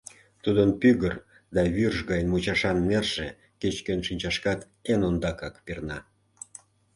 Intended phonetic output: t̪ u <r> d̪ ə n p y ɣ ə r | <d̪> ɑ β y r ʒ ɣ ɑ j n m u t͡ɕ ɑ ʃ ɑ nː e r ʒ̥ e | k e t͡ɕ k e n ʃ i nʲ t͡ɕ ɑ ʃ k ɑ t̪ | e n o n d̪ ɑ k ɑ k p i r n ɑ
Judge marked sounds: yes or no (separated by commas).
no, yes